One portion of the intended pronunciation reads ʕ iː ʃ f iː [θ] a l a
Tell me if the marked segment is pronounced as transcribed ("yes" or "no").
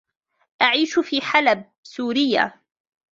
no